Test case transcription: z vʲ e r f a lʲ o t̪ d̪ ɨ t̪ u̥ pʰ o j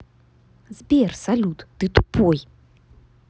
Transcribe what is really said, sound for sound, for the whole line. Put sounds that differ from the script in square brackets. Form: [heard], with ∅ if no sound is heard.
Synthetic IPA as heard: z [bʲ] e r [s] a lʲ [u] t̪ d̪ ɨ t̪ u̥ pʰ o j